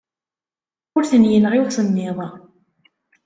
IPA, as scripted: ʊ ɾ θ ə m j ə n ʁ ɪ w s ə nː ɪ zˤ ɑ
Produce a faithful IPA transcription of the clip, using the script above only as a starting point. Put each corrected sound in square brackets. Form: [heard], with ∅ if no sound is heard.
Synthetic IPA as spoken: ʊ ɾ θ ə [n] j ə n ʁ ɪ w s ə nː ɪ [ðˤ] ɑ